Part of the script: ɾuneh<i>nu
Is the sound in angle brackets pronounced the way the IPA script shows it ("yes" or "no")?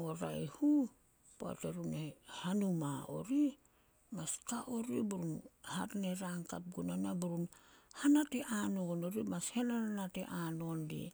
no